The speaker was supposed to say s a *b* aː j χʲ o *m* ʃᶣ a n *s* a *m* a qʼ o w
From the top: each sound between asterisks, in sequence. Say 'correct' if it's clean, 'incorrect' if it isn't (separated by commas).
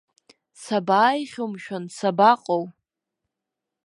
correct, correct, correct, incorrect